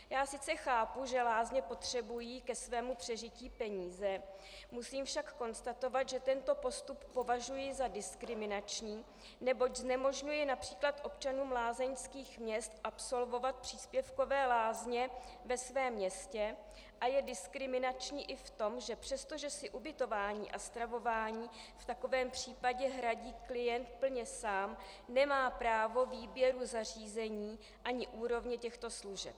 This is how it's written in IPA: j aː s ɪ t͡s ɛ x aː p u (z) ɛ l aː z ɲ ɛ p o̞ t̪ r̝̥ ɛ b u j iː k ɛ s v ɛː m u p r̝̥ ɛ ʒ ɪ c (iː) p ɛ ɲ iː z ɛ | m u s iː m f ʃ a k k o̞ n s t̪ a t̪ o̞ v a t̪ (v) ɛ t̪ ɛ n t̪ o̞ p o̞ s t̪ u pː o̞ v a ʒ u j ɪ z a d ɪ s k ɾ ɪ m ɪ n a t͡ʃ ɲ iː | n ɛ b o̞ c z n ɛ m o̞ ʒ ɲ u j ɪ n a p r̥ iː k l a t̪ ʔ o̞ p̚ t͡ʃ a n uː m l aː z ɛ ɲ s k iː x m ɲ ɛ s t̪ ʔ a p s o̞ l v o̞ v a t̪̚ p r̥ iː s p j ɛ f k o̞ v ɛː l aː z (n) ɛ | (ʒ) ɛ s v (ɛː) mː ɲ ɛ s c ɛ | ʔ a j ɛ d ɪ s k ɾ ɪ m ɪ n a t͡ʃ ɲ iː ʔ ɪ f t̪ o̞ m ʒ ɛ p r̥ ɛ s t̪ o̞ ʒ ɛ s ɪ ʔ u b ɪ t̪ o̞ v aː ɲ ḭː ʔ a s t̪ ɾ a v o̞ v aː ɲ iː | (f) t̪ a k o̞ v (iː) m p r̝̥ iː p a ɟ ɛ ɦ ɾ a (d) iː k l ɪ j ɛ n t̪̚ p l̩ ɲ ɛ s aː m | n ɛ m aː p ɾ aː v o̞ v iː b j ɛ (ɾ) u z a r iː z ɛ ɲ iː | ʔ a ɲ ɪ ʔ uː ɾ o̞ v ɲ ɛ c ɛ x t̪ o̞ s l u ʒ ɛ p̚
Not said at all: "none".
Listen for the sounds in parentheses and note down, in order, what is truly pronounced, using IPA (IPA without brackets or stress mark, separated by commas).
ʒ, iː, ʒ, ɲ, v, ɛː, f, ɛː, ɟ, ɾ